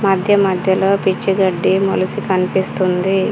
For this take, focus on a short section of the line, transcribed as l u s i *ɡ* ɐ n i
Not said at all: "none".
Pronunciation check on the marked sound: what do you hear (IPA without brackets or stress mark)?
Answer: k